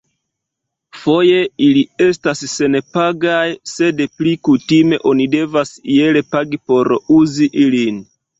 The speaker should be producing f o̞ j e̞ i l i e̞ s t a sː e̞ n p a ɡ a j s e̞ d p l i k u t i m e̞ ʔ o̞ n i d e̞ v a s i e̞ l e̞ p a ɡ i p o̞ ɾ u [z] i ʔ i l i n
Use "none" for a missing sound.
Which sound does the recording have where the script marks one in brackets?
z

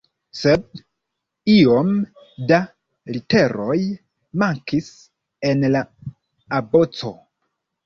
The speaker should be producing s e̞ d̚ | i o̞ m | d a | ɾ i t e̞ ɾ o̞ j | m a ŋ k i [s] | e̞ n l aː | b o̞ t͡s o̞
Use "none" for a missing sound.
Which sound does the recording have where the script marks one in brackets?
s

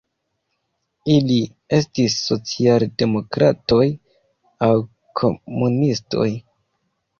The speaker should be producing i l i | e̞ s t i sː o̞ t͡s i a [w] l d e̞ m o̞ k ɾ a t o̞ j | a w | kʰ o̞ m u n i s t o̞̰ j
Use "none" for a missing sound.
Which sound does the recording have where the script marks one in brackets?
none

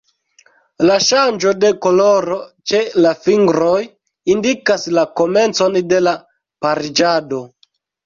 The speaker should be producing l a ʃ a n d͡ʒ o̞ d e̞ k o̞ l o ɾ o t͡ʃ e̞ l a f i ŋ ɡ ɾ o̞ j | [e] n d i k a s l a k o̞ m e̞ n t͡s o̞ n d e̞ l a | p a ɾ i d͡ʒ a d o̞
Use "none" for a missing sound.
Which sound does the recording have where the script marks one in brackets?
i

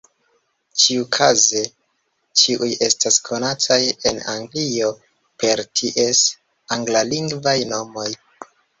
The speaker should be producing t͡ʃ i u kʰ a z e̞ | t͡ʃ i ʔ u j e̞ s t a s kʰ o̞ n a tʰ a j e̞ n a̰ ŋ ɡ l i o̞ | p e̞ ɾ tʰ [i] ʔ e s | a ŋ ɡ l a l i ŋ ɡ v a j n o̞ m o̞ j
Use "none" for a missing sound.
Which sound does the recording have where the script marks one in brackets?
i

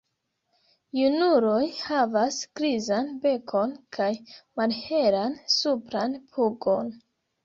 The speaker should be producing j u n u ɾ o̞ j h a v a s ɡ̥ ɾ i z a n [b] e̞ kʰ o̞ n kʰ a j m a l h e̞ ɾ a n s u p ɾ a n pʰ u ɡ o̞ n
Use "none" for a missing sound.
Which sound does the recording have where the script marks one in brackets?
b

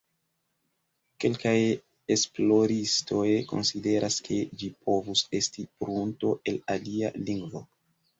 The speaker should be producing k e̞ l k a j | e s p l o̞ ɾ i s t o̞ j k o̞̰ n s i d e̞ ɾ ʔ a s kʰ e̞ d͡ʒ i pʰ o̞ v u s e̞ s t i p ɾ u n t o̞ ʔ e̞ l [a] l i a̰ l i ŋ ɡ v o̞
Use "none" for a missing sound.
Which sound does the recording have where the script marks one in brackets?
a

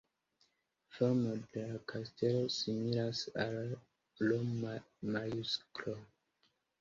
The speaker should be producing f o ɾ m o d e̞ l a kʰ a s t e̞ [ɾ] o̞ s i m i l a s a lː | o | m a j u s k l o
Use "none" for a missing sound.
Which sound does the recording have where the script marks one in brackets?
l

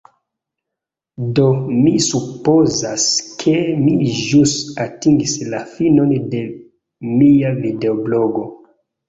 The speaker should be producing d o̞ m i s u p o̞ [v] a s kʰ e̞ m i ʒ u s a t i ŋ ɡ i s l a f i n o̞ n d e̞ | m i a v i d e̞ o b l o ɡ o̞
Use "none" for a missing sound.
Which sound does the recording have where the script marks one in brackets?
z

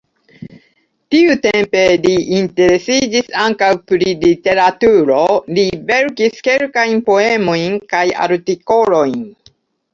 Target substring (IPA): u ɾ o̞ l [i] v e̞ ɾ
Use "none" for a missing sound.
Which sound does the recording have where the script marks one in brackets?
i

